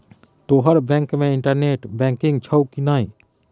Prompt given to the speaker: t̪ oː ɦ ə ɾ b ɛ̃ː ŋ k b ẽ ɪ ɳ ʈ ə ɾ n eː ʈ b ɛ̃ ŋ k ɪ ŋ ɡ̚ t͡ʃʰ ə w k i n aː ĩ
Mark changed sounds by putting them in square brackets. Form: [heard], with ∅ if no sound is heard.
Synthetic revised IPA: t̪ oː ɦ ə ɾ b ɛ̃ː ŋ k [m] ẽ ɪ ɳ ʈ ə ɾ n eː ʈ b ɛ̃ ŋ k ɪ ŋ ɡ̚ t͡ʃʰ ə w k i n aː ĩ

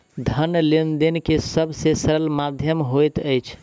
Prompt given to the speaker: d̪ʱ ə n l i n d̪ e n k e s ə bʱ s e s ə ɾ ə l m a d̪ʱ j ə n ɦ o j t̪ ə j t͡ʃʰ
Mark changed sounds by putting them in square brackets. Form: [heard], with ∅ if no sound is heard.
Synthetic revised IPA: d̪ʱ ə n l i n d̪ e n k e s ə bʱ s e s ə ɾ ə l m a d̪ʱ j ə [m] ɦ o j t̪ ə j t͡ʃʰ

